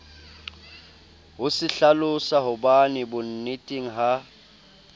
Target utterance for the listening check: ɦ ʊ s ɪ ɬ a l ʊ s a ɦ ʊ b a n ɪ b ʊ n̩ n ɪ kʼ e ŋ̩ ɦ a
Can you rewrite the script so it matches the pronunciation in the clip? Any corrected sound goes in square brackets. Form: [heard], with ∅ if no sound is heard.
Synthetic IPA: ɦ ʊ s ɪ ɬ a l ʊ s a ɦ ʊ b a n ɪ b ʊ n̩ n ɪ [tʼ] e ŋ̩ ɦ a